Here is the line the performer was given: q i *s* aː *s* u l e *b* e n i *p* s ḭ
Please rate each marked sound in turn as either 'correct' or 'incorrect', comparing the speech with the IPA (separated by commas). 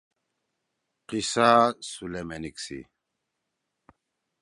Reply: correct, correct, incorrect, incorrect